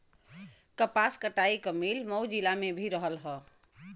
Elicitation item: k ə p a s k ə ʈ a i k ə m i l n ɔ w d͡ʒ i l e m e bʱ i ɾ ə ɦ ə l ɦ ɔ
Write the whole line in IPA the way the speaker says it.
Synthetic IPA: k ə p a s k ə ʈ a i k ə m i l m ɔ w d͡ʒ i l a m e bʱ i ɾ ə ɦ ə l ɦ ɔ